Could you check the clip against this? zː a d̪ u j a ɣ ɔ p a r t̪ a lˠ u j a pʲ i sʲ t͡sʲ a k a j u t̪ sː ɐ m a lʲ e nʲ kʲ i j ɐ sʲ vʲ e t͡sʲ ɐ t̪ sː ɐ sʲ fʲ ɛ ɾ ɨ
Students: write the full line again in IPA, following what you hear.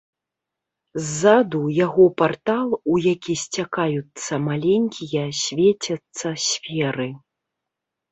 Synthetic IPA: zː a d̪ u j a ɣ ɔ p a r t̪ a lˠ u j a kʲ i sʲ t͡sʲ a k a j u t̪ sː ɐ m a lʲ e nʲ kʲ i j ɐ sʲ vʲ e t͡sʲ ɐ t̪ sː ɐ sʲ fʲ ɛ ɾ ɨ